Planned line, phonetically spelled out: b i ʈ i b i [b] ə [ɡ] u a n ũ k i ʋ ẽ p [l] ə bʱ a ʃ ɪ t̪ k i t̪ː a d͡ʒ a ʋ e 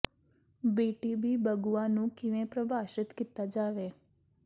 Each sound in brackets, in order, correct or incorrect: correct, correct, incorrect: ɾ

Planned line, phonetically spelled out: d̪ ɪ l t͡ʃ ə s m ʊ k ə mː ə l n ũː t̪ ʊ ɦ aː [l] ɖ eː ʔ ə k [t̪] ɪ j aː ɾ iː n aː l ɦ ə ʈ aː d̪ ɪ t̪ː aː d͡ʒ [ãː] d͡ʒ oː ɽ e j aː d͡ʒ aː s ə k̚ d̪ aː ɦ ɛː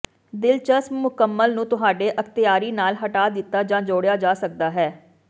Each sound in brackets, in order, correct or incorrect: incorrect: none, correct, correct

